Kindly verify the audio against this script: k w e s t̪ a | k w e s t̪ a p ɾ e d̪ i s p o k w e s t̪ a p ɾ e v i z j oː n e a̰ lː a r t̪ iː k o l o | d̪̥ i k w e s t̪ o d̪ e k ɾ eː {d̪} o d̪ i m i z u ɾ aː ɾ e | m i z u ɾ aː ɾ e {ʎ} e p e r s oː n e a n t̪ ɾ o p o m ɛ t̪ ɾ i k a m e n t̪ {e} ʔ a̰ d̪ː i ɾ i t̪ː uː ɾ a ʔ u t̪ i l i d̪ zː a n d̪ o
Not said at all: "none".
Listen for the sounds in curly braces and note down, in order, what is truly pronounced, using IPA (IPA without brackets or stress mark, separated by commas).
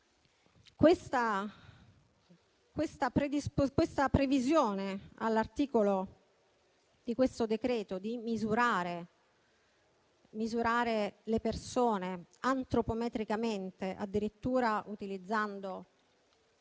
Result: t̪, l, e